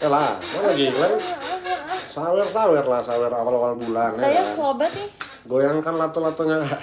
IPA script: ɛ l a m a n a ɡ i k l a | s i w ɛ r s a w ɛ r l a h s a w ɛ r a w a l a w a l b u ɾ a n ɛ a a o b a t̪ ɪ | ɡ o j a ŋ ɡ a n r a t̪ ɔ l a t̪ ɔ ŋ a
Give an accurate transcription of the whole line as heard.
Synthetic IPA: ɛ l a m a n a ɡ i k l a | s a w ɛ r s a w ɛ r l a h s a w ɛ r a w a l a w a l b u l a n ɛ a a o b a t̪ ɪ | ɡ o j a ŋ k a n l a t̪ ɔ l a t̪ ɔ ɲ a